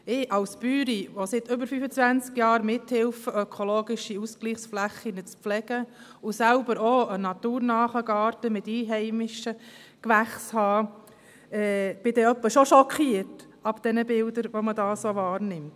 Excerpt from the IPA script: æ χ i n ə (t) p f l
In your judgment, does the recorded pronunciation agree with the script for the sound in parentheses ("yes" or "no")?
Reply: no